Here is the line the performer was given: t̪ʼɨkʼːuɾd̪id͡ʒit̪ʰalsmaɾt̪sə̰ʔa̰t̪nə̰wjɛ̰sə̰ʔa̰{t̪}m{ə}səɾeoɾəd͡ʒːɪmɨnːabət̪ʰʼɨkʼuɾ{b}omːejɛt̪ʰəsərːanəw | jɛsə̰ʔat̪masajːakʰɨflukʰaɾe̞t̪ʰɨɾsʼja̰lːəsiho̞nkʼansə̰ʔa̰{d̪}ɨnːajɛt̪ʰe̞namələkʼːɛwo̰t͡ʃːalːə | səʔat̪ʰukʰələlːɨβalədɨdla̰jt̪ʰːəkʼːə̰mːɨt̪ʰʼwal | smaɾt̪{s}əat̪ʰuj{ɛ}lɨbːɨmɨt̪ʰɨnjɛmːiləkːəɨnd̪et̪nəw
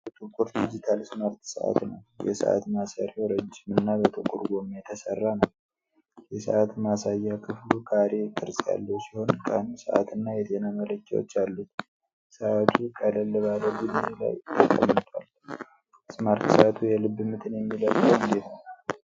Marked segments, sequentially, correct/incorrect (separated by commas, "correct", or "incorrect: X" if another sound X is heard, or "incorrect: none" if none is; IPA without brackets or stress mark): correct, incorrect: a, incorrect: ɡ, incorrect: t̪, correct, correct